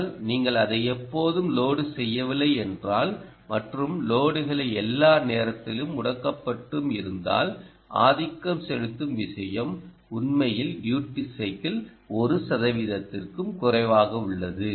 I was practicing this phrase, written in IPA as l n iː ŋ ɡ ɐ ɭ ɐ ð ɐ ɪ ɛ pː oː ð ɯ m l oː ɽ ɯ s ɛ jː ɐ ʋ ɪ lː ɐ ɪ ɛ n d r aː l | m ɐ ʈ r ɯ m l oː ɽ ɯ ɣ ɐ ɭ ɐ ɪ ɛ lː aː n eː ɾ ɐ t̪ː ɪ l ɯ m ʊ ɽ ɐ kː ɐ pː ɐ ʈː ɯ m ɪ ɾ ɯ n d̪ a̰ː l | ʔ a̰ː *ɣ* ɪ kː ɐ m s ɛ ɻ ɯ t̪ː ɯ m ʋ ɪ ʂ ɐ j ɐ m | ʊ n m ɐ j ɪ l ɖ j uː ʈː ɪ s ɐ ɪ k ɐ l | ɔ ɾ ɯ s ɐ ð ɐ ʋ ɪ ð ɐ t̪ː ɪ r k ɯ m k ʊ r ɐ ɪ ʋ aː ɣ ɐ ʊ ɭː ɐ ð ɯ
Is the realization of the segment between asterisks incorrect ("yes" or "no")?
yes